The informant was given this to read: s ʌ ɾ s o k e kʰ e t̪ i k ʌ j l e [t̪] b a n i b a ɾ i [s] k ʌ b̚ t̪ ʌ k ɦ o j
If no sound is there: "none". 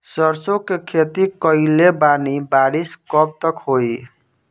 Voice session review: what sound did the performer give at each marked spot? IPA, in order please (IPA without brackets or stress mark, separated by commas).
none, s